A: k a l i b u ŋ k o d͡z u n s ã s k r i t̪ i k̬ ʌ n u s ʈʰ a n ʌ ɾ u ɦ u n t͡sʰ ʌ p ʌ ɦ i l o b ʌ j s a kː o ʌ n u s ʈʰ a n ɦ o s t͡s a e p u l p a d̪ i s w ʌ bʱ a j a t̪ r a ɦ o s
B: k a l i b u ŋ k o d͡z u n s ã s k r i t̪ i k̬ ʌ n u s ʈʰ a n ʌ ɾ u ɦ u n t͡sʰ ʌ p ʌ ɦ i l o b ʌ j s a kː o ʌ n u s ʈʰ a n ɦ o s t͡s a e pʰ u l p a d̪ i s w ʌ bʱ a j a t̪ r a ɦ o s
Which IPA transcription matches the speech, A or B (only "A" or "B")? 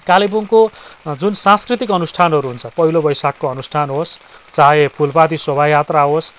B